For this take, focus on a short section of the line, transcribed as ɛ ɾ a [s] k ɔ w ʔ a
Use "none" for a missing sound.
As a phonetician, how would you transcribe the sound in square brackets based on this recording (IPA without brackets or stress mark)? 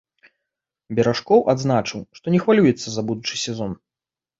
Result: ʂ